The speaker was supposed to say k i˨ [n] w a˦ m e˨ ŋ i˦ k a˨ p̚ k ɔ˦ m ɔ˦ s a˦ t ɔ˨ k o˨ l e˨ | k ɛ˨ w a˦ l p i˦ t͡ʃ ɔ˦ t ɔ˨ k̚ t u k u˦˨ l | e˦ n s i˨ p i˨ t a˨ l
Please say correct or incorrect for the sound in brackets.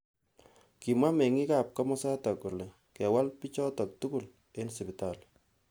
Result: incorrect